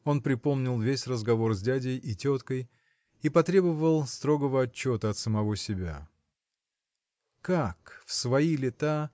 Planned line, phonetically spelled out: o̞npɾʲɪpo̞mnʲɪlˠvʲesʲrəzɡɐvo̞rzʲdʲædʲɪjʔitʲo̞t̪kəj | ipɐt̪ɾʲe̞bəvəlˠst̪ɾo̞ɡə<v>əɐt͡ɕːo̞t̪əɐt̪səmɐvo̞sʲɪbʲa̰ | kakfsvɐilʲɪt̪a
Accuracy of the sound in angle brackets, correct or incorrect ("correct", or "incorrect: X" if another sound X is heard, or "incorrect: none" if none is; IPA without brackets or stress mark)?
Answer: correct